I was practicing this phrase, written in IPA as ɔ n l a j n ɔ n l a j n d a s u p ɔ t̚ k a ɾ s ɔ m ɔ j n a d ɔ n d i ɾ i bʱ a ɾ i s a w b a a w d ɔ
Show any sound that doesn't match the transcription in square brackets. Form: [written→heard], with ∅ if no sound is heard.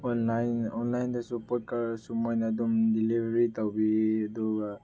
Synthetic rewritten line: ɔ n l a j n ɔ n l a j n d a s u p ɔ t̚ k a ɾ s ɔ m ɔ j n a d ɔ [n→m] d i [ɾ→l] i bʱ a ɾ i [s→t] a w b [a→i] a [w→∅] d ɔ

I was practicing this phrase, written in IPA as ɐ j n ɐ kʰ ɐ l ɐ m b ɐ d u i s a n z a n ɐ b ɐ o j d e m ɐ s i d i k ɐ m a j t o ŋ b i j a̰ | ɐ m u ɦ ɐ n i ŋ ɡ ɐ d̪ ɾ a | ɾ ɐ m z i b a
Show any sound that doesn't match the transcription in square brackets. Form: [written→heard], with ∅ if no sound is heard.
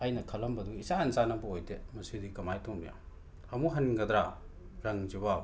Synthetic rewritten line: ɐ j n ɐ kʰ ɐ l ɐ m b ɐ d u i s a n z a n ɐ b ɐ o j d e m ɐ s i d i k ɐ m a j t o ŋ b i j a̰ | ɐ m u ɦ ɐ n i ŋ ɡ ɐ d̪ ɾ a | ɾ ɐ [m→ŋ] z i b a

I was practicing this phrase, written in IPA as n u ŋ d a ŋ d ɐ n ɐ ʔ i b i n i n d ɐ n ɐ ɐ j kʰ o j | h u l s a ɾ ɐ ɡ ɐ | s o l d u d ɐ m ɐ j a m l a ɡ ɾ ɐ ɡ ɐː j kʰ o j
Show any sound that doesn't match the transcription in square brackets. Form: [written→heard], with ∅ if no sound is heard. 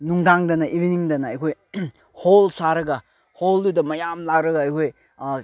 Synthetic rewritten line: n u ŋ d a ŋ d ɐ n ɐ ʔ i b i n i [n→ŋ] d ɐ n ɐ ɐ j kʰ o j | h [u→o] l s a ɾ ɐ ɡ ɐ | [s→h] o l d u d ɐ m ɐ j a m l a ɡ ɾ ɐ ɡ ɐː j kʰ o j

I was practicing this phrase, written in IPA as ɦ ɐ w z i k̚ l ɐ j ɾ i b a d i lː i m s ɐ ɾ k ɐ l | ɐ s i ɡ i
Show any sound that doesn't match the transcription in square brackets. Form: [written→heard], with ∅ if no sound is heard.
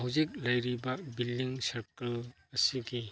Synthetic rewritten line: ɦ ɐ w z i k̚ l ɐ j ɾ i b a [d→b] i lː i [m→ŋ] s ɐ ɾ k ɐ l | ɐ s i ɡ i

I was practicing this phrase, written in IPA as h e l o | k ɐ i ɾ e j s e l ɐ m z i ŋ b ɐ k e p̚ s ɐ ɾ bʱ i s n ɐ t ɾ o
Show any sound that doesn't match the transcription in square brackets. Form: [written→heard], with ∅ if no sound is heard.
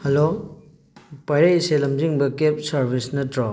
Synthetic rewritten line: h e l o | [k→p] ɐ [i→j] ɾ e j s e l ɐ m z i ŋ b ɐ k e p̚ s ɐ ɾ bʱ i s n ɐ t ɾ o

